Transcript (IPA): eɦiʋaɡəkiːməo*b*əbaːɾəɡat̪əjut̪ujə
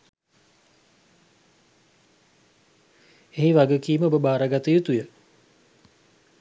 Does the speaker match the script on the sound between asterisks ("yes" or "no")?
yes